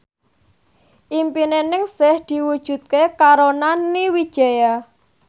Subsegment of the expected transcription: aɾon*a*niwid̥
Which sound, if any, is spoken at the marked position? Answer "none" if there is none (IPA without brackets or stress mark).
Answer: a